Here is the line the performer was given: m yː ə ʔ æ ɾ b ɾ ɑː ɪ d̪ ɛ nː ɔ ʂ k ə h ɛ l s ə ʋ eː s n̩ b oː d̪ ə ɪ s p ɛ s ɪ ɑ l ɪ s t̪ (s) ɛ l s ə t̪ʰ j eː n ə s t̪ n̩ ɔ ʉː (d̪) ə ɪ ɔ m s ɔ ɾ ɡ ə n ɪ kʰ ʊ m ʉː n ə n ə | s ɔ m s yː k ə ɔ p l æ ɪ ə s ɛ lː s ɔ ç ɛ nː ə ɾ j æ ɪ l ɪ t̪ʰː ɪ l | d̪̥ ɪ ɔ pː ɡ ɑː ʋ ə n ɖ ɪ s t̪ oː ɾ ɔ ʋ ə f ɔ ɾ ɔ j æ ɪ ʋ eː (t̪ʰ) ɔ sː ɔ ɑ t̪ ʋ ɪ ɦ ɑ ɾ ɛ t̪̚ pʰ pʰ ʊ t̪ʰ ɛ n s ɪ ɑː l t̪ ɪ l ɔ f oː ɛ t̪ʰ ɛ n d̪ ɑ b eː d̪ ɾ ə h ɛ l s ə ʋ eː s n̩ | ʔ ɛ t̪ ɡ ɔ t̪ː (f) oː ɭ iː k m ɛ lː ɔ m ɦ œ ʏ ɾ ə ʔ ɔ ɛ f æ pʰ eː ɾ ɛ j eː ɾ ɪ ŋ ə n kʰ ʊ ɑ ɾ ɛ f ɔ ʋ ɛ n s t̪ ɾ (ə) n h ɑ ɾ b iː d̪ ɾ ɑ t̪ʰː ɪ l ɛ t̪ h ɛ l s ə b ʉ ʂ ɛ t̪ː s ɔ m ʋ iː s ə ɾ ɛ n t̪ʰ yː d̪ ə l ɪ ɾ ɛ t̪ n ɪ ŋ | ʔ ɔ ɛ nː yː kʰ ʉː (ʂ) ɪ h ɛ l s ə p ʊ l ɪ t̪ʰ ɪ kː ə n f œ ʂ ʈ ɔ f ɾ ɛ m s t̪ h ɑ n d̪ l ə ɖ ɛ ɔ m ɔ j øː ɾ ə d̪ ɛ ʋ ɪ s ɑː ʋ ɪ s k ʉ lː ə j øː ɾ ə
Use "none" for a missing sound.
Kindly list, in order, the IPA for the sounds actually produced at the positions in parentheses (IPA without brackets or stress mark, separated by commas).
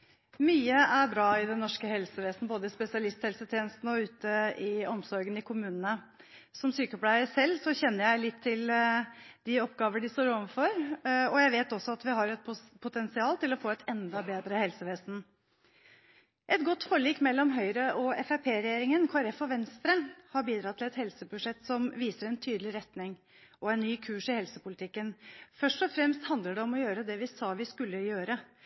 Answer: h, t̪, t̪, f, ə, ʂ